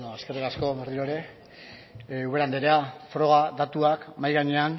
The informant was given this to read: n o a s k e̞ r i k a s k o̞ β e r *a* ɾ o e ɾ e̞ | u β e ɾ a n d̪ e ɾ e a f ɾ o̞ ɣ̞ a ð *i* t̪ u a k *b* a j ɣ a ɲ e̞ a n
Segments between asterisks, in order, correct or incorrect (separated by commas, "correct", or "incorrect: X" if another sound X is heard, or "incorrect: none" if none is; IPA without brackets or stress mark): incorrect: i, incorrect: a, incorrect: m